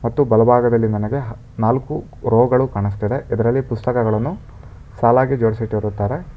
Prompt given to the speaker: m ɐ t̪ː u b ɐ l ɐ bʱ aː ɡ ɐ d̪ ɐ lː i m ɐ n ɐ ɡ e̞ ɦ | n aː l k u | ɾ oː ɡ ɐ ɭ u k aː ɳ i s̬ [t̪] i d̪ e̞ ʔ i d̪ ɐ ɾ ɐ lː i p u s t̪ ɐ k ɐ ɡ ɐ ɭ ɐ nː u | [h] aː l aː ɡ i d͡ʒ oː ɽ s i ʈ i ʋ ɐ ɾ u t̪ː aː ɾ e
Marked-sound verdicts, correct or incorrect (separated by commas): correct, incorrect